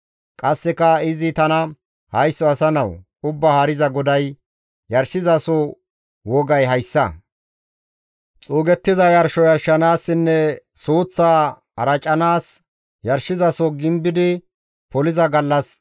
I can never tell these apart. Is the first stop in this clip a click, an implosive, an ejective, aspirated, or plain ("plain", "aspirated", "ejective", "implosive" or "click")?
ejective